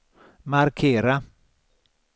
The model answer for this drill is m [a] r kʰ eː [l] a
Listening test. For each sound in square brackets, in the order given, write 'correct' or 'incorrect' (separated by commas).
correct, incorrect